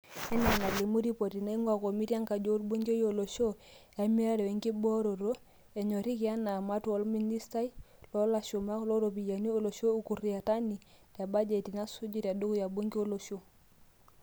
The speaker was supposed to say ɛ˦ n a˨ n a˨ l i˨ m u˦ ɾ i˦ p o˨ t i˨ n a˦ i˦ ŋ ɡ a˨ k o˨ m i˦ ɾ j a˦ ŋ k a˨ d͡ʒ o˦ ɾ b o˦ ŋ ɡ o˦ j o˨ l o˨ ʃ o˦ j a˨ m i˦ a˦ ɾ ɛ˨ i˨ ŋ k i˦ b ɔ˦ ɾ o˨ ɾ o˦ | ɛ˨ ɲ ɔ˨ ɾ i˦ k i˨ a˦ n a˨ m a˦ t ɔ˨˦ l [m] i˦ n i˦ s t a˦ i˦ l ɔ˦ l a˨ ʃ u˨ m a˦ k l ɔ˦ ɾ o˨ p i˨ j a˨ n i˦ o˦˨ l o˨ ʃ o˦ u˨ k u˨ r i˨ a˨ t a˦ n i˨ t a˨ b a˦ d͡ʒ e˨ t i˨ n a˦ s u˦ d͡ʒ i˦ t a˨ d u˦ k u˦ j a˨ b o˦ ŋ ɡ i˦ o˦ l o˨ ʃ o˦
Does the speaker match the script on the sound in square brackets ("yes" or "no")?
yes